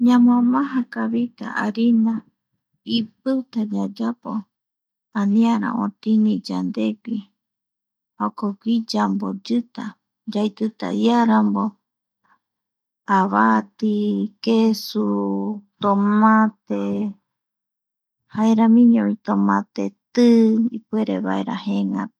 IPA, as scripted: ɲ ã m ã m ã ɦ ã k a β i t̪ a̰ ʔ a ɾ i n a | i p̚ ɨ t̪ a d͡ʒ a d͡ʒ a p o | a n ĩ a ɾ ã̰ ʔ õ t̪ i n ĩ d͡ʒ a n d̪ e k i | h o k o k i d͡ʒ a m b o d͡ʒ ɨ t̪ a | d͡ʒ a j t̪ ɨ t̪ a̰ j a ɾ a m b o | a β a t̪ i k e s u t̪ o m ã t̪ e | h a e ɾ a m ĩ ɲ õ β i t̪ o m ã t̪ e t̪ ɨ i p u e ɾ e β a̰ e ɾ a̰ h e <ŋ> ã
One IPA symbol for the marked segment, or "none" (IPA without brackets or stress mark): ŋ